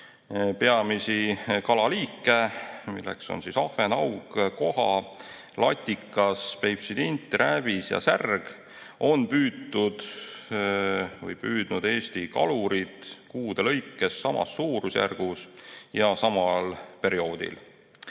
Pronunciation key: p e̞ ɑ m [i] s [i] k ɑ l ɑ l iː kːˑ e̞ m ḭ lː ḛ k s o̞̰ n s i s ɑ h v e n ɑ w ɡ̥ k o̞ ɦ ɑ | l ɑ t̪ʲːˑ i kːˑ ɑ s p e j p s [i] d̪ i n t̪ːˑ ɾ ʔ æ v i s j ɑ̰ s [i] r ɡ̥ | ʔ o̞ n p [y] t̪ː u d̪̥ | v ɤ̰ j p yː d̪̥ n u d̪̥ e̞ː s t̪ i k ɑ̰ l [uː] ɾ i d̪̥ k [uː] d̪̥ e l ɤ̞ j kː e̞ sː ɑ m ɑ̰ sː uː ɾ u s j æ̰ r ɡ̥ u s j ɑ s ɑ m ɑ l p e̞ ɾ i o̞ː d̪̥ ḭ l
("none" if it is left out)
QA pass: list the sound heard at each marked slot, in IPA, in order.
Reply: i, i, i, æ, yː, u, uː

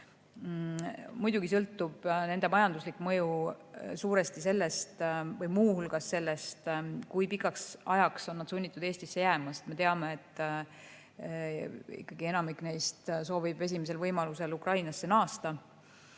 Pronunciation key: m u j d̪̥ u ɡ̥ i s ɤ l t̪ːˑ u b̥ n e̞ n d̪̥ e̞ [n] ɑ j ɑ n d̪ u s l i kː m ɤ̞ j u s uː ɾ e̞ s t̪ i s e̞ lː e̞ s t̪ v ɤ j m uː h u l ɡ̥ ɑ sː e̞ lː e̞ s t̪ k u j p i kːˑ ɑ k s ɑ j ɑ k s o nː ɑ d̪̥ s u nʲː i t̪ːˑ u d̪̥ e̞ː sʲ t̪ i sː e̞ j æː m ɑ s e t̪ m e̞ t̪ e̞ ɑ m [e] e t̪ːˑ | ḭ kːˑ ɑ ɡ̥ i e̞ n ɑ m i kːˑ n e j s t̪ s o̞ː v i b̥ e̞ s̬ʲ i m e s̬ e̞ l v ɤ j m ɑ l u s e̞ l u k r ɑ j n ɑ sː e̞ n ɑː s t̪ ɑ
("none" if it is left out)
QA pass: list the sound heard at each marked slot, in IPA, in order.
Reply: m, e

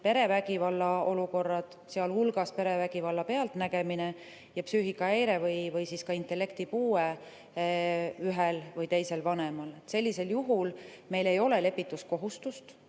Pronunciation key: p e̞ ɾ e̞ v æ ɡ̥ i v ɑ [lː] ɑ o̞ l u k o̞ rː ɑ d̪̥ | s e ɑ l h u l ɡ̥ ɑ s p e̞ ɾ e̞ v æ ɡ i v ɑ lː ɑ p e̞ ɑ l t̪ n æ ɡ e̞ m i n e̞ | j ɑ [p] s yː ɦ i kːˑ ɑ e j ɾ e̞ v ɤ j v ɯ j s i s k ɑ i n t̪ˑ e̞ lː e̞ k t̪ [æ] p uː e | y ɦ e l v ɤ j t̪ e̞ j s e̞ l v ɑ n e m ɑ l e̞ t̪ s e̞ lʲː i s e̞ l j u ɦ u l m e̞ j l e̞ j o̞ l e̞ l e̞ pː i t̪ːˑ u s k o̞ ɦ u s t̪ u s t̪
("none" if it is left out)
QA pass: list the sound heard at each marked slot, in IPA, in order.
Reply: lː, p, i

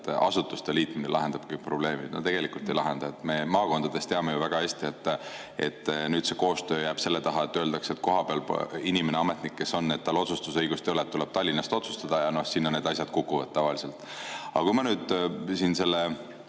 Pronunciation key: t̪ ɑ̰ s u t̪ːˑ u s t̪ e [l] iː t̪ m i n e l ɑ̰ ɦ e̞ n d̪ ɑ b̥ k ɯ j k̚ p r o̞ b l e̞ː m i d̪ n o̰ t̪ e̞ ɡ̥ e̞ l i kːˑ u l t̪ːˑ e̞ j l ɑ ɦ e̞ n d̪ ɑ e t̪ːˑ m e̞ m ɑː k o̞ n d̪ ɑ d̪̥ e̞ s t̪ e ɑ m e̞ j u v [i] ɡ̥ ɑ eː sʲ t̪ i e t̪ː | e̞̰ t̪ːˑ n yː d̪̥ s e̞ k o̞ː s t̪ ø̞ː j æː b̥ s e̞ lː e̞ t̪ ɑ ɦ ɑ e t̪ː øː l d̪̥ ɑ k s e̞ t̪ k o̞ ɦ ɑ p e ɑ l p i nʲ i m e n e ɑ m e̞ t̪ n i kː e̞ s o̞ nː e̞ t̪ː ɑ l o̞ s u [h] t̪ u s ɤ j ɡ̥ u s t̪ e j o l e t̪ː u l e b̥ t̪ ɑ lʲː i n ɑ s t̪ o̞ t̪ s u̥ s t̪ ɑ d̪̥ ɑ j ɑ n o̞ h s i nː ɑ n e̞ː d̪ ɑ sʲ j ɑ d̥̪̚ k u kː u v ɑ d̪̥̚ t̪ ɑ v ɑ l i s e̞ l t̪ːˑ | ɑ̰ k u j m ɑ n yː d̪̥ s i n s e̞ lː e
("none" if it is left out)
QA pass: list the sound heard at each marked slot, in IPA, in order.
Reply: l, æ, s

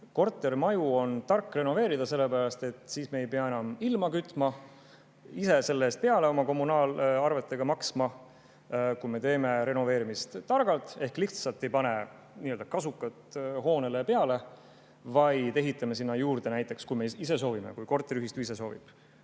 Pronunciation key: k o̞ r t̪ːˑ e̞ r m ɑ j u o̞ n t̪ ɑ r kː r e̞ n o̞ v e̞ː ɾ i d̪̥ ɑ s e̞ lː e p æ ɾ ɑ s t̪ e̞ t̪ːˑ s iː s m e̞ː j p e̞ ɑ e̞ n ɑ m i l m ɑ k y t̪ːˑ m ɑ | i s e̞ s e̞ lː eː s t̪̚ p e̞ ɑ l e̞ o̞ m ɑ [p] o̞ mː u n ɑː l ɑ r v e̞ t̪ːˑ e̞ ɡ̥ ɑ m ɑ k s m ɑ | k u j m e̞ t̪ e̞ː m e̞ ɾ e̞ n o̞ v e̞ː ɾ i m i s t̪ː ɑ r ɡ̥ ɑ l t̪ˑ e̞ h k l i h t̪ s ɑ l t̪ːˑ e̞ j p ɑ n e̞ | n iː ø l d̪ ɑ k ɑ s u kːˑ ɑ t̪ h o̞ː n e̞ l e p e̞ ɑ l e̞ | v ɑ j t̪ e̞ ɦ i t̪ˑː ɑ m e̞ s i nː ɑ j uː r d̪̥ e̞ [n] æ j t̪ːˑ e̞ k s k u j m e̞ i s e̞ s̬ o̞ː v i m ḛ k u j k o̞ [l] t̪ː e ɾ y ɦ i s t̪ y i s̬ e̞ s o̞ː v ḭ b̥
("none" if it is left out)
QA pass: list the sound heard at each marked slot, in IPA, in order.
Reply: k, n, r

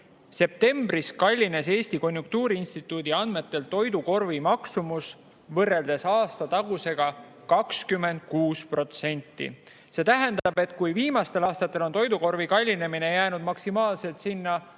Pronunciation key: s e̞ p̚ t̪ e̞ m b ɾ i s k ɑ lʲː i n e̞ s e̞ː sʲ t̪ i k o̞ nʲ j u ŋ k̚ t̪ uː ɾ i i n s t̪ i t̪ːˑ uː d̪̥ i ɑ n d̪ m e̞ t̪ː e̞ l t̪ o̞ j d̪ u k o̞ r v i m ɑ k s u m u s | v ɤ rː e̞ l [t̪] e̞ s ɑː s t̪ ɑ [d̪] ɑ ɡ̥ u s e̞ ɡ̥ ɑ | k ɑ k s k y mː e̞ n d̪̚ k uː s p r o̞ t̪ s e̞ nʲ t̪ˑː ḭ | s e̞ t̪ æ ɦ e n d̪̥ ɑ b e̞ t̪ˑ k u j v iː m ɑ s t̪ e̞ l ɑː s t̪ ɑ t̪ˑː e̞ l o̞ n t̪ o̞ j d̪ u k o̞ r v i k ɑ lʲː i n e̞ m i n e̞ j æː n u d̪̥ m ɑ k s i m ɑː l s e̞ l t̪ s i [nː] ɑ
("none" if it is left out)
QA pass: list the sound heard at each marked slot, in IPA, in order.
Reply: d̪, t̪, nː

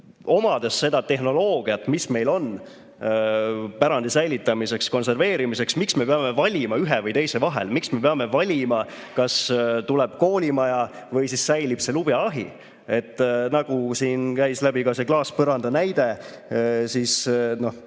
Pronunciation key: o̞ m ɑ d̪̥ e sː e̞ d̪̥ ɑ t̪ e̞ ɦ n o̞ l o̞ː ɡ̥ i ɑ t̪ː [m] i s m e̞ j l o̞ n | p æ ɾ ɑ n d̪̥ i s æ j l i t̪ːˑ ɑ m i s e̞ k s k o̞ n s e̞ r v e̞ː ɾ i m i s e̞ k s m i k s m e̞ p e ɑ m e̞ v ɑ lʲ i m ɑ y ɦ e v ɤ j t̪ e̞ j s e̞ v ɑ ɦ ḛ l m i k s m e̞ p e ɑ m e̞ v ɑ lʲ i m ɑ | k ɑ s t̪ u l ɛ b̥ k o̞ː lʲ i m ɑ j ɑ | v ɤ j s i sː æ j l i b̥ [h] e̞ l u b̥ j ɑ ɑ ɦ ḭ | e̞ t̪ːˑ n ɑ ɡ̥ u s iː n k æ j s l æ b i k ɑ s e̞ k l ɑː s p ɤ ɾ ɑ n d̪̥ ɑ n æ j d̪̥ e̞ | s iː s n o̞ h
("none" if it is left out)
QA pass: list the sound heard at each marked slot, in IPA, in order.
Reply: m, s

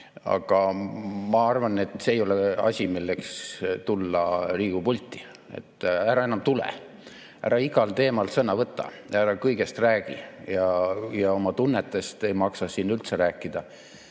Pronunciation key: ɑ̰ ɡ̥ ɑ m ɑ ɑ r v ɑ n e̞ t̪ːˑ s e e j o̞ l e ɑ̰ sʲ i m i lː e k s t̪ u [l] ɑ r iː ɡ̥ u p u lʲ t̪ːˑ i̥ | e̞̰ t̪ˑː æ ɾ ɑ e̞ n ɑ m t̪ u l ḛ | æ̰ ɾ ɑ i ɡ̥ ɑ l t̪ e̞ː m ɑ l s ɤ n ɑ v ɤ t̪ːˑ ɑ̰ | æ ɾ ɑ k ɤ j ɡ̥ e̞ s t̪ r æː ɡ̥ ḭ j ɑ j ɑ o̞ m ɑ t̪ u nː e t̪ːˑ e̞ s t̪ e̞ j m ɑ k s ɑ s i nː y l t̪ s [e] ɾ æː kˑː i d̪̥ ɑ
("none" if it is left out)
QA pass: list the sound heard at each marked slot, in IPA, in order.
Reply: lː, e

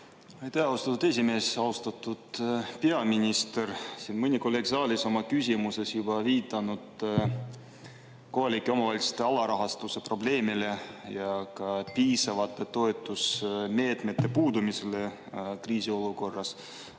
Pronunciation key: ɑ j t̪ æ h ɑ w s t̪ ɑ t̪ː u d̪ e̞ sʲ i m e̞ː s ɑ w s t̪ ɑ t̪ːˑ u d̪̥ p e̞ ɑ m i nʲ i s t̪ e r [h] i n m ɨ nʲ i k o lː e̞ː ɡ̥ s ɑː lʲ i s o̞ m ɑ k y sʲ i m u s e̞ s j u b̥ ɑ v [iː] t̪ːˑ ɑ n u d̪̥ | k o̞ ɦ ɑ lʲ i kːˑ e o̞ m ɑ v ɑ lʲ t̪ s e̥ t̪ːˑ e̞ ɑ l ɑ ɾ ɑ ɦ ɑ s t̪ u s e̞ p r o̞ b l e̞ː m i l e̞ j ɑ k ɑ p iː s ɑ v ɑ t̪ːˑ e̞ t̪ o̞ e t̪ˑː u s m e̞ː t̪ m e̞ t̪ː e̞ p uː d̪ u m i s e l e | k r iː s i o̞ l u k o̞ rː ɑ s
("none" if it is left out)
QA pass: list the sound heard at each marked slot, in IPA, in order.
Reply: s, iː

